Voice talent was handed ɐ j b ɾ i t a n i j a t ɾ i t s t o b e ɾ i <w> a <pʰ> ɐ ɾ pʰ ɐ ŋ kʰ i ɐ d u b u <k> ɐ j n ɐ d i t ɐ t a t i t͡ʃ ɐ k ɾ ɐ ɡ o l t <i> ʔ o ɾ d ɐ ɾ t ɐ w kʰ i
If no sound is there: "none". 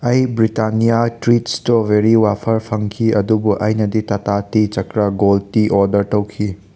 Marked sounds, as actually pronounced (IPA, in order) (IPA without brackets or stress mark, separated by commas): w, pʰ, ʔ, i